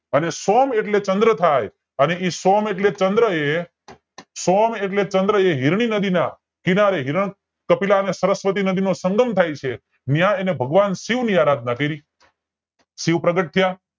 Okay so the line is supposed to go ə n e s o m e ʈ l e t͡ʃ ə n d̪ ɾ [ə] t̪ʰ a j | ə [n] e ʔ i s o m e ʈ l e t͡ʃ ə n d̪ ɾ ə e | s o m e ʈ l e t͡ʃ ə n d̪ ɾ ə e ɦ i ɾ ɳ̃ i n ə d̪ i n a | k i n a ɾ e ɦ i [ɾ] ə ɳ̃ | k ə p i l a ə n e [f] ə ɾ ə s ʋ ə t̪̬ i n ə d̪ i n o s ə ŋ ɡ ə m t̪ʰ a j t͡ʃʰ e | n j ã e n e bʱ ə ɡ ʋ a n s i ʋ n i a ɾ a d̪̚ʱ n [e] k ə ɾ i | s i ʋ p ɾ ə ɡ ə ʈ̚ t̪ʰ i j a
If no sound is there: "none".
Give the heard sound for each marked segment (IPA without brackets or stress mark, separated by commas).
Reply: ə, n, ɾ, s, a